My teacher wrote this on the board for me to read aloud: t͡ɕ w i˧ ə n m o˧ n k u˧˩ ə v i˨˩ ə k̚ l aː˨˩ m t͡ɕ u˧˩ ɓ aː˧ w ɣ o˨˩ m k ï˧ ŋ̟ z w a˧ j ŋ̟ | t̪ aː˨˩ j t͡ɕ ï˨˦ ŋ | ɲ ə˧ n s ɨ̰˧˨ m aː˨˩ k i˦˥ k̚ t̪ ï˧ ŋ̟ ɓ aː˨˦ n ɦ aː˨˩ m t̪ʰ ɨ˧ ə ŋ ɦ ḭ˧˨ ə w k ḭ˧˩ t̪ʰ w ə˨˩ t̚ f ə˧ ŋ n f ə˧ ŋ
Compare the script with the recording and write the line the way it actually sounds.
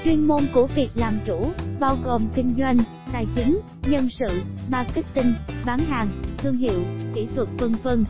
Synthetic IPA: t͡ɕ w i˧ ə n m o˧ n k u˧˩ ə v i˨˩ ə k̚ l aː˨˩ m t͡ɕ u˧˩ ɓ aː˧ w ɣ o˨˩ m k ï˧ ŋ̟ z w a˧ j ŋ̟ | t̪ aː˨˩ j t͡ɕ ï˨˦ ŋ | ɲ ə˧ n s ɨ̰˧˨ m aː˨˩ k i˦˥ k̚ t̪ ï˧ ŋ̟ ɓ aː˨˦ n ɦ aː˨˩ ŋ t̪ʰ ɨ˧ ə ŋ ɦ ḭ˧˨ ə w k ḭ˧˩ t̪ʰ w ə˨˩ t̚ f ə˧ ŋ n f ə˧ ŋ